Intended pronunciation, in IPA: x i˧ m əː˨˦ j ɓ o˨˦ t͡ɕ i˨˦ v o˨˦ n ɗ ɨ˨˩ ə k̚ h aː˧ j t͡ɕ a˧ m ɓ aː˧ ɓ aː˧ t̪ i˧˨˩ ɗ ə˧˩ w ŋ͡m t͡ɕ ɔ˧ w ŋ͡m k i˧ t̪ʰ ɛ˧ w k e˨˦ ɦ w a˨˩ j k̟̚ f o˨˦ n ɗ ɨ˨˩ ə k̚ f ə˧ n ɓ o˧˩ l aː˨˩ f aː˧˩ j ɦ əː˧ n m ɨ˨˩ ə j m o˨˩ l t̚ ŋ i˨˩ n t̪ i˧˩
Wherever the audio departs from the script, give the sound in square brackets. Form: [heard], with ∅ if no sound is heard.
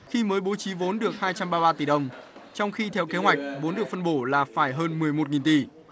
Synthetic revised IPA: x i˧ m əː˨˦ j ɓ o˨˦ t͡ɕ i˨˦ v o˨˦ n ɗ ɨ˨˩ ə k̚ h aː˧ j t͡ɕ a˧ m ɓ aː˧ ɓ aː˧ t̪ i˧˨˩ ɗ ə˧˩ w ŋ͡m t͡ɕ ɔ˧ w ŋ͡m [x] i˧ t̪ʰ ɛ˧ w k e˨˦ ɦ w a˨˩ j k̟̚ [v] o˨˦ n ɗ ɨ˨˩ ə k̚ f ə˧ n ɓ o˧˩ l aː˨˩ f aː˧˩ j ɦ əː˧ n m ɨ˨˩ ə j m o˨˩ [∅] t̚ ŋ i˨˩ n t̪ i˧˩